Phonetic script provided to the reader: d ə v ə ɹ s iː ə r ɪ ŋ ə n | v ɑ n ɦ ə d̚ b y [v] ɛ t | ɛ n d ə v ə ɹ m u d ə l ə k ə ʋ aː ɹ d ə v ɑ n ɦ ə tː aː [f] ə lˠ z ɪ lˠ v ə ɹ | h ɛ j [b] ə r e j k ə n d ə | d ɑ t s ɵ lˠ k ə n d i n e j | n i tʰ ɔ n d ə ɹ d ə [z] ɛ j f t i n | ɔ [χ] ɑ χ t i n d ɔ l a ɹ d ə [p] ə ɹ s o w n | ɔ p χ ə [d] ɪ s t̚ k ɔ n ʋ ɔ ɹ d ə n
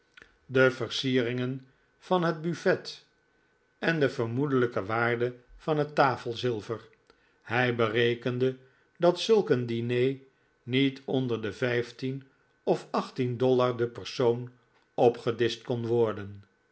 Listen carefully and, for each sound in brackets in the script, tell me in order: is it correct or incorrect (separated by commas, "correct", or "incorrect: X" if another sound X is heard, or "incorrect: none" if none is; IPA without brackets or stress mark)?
incorrect: f, correct, correct, incorrect: v, incorrect: f, correct, correct